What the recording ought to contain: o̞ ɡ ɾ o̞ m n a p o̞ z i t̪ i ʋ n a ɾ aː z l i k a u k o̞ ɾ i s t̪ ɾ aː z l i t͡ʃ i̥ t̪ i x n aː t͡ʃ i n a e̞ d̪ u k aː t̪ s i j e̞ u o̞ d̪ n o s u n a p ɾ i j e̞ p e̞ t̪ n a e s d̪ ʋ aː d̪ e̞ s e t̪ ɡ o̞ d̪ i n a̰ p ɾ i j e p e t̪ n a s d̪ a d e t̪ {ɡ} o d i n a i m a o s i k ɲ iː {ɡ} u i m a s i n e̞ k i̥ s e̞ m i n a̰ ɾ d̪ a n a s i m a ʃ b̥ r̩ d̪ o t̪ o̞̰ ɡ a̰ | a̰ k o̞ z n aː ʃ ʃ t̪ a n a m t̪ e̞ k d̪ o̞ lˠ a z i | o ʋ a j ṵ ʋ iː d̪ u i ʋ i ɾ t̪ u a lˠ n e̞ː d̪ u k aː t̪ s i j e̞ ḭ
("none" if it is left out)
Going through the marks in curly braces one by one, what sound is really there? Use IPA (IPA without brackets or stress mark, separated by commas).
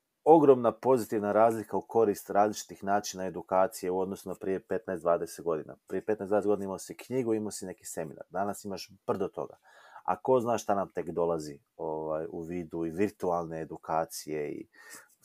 ɡ, ɡ